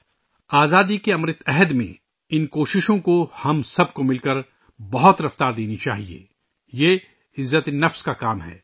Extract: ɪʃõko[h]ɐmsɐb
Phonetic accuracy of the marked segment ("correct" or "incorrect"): correct